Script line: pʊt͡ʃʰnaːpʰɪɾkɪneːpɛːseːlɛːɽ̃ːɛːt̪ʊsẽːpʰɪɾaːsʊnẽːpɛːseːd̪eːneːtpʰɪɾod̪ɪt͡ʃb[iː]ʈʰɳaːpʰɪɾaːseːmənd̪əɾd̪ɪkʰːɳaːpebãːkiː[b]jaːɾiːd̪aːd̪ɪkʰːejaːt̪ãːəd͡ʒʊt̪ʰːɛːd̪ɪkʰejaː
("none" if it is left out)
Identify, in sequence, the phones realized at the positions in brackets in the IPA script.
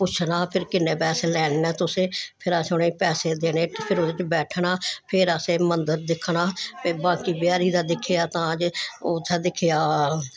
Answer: ɛː, b

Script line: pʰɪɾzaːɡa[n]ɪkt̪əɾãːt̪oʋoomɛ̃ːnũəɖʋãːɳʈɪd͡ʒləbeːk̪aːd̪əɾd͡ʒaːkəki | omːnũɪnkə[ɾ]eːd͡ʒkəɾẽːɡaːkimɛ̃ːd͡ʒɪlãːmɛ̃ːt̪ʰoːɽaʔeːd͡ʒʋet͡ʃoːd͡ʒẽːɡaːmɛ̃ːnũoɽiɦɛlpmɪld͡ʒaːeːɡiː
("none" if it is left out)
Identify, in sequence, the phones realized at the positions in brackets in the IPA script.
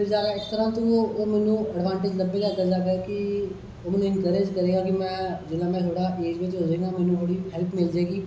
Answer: none, ɾ

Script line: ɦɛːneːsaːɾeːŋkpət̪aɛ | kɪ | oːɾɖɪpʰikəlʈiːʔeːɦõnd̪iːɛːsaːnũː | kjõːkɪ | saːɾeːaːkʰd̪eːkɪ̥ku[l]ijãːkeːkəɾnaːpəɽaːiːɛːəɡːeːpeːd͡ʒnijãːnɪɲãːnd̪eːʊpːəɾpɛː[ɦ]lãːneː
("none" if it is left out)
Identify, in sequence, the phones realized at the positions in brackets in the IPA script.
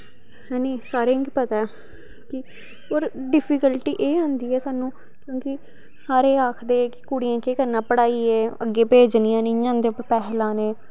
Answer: ɽ, ɦ

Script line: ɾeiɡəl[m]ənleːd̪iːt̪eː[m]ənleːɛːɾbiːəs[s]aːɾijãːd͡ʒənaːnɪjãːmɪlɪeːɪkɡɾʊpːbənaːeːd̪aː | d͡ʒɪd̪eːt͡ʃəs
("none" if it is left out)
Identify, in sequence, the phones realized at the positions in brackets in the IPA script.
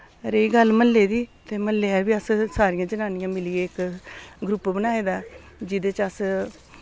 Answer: m, m, s

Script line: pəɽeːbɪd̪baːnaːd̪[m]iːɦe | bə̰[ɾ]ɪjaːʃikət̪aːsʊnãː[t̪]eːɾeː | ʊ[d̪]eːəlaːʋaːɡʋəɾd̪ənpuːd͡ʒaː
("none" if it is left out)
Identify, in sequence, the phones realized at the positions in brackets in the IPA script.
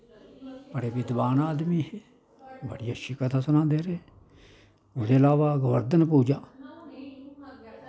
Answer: m, ɽ, d̪, d̪

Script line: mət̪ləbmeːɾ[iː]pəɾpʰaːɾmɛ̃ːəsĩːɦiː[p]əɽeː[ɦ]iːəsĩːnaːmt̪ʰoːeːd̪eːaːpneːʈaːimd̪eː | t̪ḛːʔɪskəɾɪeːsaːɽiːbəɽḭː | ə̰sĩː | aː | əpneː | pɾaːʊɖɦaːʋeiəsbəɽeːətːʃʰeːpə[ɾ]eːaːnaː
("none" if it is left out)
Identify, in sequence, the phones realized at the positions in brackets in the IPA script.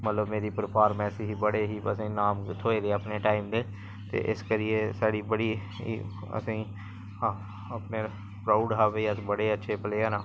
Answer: iː, b, ɦ, l

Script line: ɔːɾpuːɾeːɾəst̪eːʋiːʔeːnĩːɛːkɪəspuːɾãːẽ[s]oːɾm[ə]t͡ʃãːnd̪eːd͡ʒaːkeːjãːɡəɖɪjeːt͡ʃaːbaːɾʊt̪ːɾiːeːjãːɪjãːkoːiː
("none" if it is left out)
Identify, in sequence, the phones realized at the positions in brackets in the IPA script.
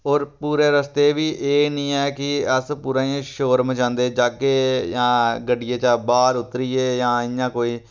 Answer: ʃ, ə

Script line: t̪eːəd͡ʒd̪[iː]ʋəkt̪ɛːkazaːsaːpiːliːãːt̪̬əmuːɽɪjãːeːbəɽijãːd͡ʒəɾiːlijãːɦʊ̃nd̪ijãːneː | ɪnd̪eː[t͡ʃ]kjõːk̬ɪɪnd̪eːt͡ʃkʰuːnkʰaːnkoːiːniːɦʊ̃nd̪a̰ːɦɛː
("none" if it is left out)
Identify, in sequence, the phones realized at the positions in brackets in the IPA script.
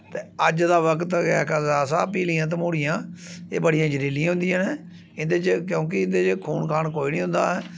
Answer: aː, t͡ʃ

